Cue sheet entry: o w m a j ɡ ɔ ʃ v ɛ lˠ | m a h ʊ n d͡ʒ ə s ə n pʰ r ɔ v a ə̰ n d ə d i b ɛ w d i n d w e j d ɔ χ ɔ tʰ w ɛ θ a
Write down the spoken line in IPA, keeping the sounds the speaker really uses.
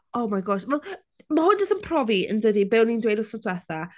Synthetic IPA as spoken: o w m a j ɡ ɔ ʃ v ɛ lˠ | m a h ʊ n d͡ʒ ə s ə n pʰ r ɔ v i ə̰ n d ə d i b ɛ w n i n d w e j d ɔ s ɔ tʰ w ɛ θ a